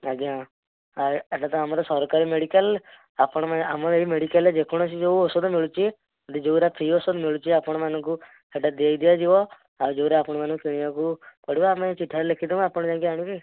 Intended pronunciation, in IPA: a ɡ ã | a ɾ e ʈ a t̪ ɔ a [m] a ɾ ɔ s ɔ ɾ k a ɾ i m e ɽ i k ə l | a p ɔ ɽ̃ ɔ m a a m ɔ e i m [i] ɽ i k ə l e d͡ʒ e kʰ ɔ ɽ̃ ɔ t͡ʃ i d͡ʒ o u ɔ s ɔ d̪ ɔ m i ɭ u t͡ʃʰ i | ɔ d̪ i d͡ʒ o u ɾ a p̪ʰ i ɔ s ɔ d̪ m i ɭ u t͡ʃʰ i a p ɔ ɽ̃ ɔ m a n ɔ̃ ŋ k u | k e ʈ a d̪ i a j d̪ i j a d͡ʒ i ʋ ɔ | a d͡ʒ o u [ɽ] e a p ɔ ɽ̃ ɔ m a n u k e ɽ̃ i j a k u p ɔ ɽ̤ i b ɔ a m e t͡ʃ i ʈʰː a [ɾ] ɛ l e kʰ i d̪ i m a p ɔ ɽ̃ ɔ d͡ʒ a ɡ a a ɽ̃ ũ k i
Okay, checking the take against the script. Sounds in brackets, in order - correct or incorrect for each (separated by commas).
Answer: correct, incorrect, incorrect, correct